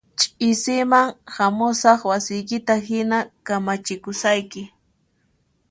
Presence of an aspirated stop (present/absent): absent